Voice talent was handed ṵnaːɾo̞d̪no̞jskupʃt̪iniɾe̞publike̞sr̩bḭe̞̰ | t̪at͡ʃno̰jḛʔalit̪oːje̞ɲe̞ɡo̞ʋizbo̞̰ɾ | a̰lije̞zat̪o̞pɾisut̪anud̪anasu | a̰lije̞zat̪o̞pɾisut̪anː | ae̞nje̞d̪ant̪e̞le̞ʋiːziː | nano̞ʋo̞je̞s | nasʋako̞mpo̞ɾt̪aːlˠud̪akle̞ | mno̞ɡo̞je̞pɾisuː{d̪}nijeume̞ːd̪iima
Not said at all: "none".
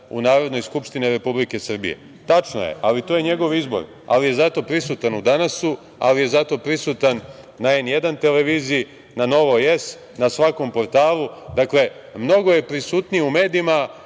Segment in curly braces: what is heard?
t̪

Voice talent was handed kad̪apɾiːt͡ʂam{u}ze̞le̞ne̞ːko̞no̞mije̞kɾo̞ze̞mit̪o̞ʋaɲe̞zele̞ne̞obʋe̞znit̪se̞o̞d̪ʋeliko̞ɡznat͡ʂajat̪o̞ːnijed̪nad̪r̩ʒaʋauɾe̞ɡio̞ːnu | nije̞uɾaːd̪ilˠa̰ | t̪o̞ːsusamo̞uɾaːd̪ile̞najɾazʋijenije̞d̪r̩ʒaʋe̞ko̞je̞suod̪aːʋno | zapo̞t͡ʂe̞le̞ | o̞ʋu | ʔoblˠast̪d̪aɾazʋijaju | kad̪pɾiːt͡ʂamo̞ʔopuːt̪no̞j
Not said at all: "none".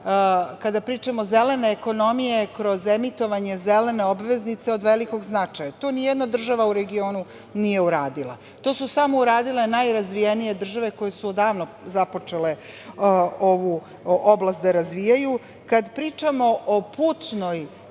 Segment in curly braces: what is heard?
o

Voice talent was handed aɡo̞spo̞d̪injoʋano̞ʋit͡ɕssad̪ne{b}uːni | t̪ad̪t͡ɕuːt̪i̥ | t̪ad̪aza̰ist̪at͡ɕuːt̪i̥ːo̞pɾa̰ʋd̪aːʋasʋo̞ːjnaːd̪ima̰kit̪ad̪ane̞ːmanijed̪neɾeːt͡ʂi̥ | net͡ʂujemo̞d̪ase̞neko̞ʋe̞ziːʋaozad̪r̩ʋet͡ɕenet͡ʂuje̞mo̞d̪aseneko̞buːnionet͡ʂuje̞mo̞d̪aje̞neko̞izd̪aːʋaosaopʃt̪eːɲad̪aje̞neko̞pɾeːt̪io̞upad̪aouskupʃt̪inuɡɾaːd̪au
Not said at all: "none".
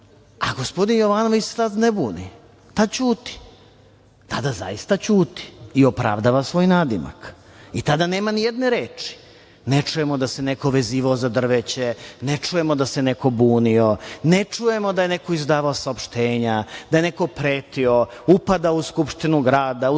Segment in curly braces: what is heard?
b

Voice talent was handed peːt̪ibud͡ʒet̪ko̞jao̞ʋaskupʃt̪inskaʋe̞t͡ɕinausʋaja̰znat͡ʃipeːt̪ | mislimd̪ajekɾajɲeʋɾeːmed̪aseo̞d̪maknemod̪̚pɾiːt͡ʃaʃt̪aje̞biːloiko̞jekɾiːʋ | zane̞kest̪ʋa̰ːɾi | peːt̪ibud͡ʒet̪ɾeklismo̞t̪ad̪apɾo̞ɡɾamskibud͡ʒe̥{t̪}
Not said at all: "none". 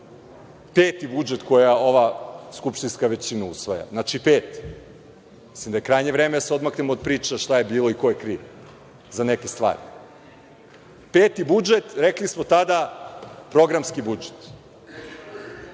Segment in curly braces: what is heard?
t̪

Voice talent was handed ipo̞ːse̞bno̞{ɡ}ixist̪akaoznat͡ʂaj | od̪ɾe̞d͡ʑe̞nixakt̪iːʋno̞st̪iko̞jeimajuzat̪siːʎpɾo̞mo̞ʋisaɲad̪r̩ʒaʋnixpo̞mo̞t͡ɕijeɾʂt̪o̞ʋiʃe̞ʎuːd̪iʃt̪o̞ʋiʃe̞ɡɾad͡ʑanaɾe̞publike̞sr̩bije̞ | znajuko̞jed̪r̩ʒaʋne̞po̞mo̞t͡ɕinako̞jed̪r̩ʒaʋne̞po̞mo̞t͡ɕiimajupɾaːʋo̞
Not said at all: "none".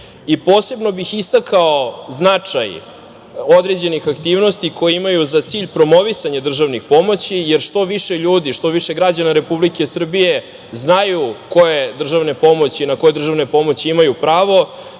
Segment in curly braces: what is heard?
b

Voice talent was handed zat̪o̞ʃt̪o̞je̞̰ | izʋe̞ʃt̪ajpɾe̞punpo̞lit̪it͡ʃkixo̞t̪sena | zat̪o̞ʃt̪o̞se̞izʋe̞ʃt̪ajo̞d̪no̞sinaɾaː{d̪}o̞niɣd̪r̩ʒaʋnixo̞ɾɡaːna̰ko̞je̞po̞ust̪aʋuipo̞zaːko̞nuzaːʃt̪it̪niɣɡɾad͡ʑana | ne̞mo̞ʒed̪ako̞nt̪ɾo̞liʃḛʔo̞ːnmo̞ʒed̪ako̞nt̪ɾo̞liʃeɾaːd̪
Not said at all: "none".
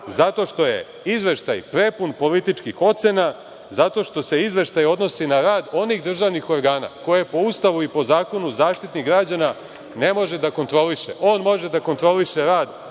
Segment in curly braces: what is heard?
d̪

